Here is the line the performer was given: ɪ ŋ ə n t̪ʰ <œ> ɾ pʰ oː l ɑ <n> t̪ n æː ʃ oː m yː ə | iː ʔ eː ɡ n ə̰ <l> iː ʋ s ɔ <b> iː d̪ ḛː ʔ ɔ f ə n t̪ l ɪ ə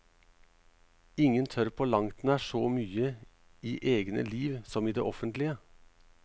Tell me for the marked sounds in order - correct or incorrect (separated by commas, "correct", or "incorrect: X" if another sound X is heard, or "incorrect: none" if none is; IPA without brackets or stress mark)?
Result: correct, incorrect: ŋ, correct, incorrect: m